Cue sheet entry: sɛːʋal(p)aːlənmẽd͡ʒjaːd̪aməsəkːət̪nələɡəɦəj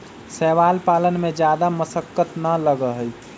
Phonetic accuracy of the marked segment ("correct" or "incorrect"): correct